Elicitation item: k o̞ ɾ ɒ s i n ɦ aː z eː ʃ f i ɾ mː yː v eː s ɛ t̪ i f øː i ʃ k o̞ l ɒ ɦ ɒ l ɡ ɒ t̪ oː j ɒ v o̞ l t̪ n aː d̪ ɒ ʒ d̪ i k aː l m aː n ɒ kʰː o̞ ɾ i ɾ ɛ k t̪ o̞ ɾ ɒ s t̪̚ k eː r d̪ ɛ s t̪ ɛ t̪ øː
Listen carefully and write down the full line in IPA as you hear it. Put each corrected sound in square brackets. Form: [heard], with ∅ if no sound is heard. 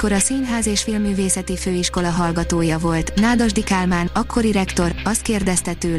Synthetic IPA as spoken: k o̞ ɾ ɒ s i n ɦ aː z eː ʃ f i [l] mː yː v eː s ɛ t̪ i f øː i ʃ k o̞ l ɒ ɦ ɒ l ɡ ɒ t̪ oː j ɒ v o̞ l t̪ n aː d̪ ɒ ʒ d̪ i k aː l m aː n ɒ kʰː o̞ ɾ i ɾ ɛ k t̪ o̞ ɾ ɒ s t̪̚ k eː r d̪ ɛ s t̪ ɛ t̪ øː